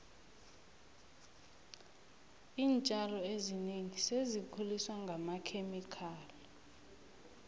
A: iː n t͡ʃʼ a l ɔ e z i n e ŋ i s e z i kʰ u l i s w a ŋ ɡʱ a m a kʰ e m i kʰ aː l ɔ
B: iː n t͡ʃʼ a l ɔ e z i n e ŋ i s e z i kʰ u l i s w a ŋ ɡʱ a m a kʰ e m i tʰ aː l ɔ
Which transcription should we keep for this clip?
A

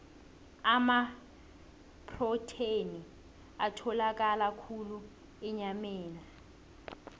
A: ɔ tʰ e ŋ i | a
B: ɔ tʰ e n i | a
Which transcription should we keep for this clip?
B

